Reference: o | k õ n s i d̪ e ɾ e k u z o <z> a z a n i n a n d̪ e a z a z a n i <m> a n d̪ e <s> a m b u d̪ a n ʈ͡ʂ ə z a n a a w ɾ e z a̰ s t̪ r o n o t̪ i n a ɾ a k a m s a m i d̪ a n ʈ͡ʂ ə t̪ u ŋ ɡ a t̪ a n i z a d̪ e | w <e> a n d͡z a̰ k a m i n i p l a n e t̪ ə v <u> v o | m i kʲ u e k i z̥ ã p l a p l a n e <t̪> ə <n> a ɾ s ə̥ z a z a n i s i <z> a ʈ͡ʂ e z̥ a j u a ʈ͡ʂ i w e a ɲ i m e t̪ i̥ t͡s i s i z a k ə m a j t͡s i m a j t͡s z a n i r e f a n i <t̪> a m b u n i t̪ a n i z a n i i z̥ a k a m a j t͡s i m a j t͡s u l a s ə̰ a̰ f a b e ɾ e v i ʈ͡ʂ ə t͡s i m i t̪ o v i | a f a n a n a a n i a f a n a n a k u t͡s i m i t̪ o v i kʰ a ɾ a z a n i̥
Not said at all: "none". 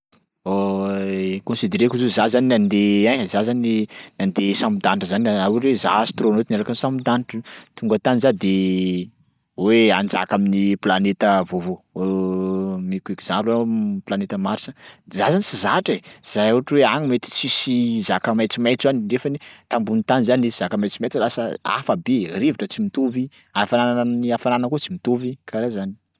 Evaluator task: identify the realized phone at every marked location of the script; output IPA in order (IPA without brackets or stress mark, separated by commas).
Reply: z, n, s, e, o, t̪, m, z, t̪